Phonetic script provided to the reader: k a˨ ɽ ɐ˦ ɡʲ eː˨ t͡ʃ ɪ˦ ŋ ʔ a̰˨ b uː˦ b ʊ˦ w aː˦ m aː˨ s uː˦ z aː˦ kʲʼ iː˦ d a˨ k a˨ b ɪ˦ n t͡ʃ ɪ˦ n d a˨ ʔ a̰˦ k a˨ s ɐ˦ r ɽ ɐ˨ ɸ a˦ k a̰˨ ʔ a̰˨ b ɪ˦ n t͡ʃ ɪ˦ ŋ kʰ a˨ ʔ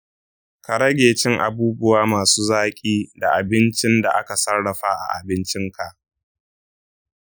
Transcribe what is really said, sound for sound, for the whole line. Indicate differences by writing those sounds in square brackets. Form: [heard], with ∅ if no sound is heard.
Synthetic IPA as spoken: k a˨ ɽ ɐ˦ ɡʲ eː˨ t͡ʃ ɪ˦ ŋ ʔ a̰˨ b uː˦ b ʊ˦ w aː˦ m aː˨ s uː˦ z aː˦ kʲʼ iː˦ d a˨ [ʔ] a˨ b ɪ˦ n t͡ʃ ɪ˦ n d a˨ ʔ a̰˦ k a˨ s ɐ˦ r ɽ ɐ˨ ɸ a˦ [ʔ] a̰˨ ʔ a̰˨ b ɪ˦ n t͡ʃ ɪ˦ ŋ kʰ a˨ ʔ